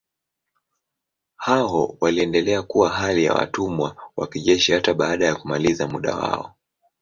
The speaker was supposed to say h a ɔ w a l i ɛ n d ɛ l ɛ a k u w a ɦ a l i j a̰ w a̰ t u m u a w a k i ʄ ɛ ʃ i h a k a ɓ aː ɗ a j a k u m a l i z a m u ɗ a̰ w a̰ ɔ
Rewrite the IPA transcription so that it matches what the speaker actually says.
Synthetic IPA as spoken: h a ɔ w a l i ɛ n d ɛ l ɛ a k u w a ɦ a l i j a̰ w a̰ t u m w a w a k i ʄ ɛ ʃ i h a t a ɓ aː ɗ a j a k u m a l i z a m u ɗ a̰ w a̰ ɔ

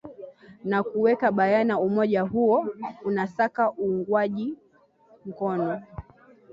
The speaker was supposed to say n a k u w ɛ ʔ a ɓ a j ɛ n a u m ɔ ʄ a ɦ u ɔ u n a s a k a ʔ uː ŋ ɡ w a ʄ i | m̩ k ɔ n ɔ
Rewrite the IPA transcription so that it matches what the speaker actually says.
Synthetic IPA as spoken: n a k u w ɛ k a ɓ a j a n a u m ɔ ʄ a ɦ u ɔ u n a s a k a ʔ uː ŋ ɡ w a ʄ i | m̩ k ɔ n ɔ

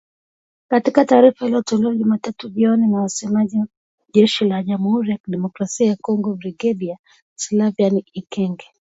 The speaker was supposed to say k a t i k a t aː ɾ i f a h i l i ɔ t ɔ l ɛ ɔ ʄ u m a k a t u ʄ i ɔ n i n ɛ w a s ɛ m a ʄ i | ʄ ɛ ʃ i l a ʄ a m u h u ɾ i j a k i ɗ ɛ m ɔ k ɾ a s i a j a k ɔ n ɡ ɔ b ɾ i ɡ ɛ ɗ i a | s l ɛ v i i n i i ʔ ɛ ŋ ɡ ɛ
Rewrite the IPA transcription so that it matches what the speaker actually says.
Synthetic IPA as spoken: k a t i k a t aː ɾ i f a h i l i ɔ t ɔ l ɛ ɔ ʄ u m a t a t u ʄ i ɔ n i n a w a s ɛ m a ʄ i | ʄ ɛ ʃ i l a ʄ a m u h u ɾ i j a k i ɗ ɛ m ɔ k ɾ a s i a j a k ɔ ŋ ɡ ɔ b ɾ i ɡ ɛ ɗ i a | s l a v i a n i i k ɛ ŋ ɡ ɛ

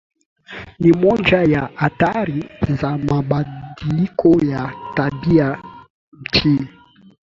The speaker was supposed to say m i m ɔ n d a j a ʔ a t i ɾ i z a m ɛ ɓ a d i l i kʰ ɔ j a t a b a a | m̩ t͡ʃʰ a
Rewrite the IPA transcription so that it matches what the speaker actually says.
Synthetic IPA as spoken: n i m ɔ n d͡ʒ a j a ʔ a t a ɾ i z a m a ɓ a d i l i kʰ ɔ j a t a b i a | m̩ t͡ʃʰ i

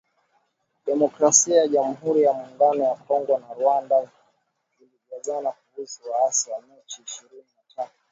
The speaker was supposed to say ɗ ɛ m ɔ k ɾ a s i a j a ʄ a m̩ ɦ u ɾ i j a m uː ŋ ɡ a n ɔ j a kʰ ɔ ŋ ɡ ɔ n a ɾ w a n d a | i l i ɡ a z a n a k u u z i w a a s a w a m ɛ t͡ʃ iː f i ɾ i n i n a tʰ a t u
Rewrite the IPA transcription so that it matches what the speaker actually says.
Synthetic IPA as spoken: ɗ ɛ m ɔ k ɾ a s i a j a ʄ a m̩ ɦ u ɾ i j a m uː ŋ ɡ a n ɔ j a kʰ ɔ ŋ ɡ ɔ n a ɾ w a n d a | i l i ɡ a z a n a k u u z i w a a s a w a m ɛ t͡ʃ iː ʃ i ɾ i n i n a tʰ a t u

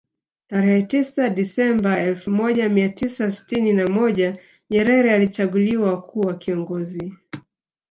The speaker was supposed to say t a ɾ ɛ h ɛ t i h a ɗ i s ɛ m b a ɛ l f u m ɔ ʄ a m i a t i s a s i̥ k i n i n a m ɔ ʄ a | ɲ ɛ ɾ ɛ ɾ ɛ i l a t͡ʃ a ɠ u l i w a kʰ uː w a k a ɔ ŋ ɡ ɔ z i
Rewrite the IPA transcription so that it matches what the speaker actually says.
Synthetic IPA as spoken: t a ɾ ɛ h ɛ t i s a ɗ i s ɛ m b a ɛ l f u m ɔ ʄ a m i a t i s a s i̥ t i n i n a m ɔ ʄ a | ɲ ɛ ɾ ɛ ɾ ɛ a l i t͡ʃ a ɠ u l i w a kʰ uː w a k i ɔ ŋ ɡ ɔ z i

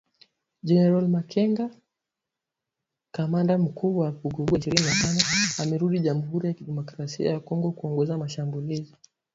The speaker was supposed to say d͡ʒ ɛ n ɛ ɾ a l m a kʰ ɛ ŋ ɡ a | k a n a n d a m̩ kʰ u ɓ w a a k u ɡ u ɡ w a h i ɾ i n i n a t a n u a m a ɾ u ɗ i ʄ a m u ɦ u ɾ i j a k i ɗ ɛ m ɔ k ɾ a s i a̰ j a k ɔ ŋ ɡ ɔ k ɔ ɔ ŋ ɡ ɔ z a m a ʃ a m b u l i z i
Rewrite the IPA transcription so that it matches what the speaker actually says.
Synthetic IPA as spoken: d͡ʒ ɛ n ɛ ɾ a l m a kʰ ɛ ŋ ɡ a | k a m a n d a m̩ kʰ u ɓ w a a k u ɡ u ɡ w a ʃ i ɾ i n i n a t a n ɔ a m ɛ ɾ u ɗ i ʄ a m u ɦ u ɾ i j a k i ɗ ɛ m ɔ k ɾ a s i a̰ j a k ɔ ŋ ɡ ɔ k u ɔ ŋ ɡ ɔ z a m a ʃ a m b u l i z i

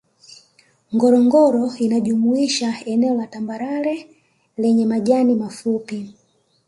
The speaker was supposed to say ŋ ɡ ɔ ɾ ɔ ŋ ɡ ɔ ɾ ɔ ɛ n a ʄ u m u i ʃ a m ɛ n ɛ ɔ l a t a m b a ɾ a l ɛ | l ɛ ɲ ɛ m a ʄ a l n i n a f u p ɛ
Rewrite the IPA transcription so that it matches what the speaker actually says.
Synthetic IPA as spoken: ŋ ɡ ɔ ɾ ɔ ŋ ɡ ɔ ɾ ɔ i n a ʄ u m u i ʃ a ɛ n ɛ ɔ l a t a m b a ɾ a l ɛ | l ɛ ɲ ɛ m a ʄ a n i m a f u p i

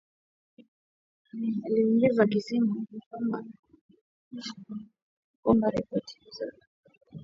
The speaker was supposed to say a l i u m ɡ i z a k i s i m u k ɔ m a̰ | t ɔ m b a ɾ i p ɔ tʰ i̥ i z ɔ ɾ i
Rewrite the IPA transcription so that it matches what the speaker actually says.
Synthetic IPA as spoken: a l i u ŋ ɡ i z a k i s i m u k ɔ m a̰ | k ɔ m b a ɾ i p ɔ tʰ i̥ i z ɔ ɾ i

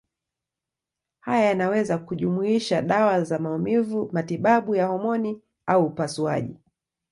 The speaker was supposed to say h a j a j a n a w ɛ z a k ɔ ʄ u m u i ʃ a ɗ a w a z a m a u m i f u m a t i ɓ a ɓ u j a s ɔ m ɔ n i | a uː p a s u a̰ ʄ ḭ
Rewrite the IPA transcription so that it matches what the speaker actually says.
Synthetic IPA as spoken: h a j a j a n a w ɛ z a k u ʄ u m u i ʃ a ɗ a w a z a m a u m i v u m a t i ɓ a ɓ u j a h ɔ m ɔ n i | a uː p a s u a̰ ʄ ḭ

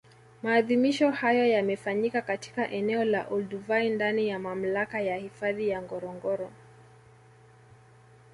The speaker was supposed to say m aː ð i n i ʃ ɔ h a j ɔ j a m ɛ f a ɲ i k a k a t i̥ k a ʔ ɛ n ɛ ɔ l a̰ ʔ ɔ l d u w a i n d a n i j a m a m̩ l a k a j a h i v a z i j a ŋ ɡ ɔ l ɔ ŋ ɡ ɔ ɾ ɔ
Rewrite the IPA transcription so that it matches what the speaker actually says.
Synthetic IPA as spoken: m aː ð i m i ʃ ɔ h a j ɔ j a m ɛ f a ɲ i k a k a t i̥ k a ʔ ɛ n ɛ ɔ l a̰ ʔ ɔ l d u v a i n d a n i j a m a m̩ l a k a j a h i f a ð i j a ŋ ɡ ɔ ɾ ɔ ŋ ɡ ɔ ɾ ɔ

